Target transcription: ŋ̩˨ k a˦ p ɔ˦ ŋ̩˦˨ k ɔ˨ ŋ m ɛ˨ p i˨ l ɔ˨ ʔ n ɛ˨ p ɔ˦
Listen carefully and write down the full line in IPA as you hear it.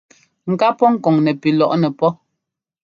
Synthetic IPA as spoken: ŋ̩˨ k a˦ p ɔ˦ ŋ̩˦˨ k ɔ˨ ŋ n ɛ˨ p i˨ l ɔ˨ ʔ n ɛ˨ p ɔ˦